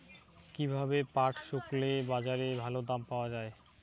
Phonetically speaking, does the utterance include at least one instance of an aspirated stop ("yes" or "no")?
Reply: no